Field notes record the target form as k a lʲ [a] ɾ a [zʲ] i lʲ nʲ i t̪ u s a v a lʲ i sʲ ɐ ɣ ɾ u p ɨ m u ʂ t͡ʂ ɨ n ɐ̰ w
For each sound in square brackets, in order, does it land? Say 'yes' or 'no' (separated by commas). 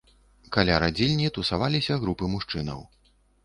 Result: yes, no